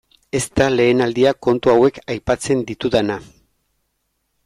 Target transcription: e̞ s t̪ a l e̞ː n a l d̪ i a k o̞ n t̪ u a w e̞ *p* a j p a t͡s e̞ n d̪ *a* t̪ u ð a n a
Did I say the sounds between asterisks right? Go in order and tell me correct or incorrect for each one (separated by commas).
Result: incorrect, incorrect